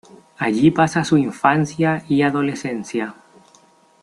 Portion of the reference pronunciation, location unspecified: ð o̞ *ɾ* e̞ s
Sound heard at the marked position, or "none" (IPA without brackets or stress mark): l